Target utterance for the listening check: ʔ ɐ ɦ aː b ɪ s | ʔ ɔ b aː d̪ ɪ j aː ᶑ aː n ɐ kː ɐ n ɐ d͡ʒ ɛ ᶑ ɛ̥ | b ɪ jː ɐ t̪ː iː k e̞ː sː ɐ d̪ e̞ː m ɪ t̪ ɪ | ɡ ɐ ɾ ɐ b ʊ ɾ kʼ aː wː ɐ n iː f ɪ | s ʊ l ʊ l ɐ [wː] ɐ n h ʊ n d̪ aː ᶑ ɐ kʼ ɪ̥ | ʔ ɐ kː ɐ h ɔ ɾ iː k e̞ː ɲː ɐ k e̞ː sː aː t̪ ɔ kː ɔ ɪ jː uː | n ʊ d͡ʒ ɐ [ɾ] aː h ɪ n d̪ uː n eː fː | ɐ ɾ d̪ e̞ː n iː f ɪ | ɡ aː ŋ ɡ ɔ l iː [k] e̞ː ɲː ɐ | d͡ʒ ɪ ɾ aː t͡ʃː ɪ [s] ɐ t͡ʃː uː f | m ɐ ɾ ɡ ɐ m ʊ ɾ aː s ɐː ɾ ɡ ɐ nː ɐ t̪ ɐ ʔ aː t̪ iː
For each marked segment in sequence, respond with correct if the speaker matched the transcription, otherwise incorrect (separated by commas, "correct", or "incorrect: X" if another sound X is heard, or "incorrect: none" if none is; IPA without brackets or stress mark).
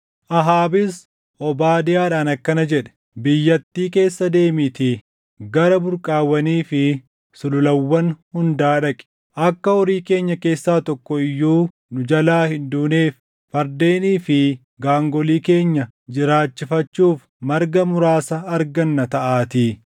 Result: correct, incorrect: l, correct, incorrect: f